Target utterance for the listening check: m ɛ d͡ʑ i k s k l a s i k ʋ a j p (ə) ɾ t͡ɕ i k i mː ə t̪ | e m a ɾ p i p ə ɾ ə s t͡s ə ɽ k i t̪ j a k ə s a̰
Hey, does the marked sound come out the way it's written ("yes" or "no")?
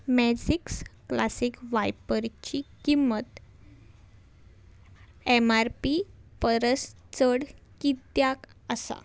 yes